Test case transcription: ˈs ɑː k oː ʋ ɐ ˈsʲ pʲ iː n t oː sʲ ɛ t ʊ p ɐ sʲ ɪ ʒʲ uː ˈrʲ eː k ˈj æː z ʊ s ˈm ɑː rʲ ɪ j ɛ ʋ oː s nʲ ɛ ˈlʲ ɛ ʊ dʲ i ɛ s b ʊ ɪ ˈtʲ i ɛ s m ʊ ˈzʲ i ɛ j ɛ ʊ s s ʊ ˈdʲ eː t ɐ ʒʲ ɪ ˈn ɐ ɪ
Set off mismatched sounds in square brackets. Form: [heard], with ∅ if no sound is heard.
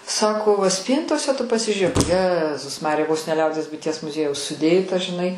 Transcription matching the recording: ˈs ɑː k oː ʋ ɐ ˈsʲ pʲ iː n t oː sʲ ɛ t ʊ p ɐ sʲ ɪ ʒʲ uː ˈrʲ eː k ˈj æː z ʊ s ˈm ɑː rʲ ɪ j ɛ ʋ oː s nʲ ɛ ˈlʲ ɛ ʊ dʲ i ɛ s b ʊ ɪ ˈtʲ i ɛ s m ʊ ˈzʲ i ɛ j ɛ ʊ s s ʊ ˈdʲ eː t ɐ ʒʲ ɪ ˈn ɐ ɪ